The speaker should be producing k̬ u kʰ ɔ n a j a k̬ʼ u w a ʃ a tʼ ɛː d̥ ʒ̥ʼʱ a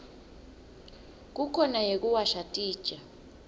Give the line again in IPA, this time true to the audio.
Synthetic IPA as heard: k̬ u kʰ ɔ n a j e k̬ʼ u w a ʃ a tʼ iː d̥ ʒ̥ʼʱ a